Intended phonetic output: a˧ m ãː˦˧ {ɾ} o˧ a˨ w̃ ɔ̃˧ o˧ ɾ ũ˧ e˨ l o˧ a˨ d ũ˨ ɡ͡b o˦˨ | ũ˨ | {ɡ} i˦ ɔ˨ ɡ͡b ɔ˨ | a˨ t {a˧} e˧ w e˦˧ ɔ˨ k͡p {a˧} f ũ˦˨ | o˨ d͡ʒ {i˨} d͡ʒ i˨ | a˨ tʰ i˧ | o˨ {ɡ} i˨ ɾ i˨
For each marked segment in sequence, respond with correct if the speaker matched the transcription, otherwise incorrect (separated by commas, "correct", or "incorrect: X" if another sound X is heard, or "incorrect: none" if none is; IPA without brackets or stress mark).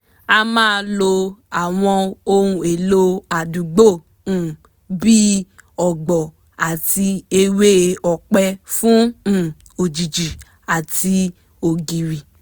incorrect: l, incorrect: b, incorrect: i˧, incorrect: ɛ˧, correct, correct